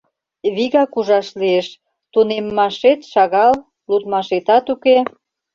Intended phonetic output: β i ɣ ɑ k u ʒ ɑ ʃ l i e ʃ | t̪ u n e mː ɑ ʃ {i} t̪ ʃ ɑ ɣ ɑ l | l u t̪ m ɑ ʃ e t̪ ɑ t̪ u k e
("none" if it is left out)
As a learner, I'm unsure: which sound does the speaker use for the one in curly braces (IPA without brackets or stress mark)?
e